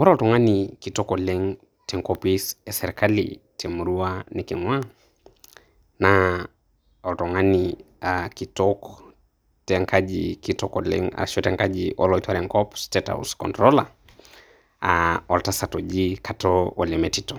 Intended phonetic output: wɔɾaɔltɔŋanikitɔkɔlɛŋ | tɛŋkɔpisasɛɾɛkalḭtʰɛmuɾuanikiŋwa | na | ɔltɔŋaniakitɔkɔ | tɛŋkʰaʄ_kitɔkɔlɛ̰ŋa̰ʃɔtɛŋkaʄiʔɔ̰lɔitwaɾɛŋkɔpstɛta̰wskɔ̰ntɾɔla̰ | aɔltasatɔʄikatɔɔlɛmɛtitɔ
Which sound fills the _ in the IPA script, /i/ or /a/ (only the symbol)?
i